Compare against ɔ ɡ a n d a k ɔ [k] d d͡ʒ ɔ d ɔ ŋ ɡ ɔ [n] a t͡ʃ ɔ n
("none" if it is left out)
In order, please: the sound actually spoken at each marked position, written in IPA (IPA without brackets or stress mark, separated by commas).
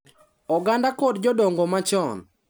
none, m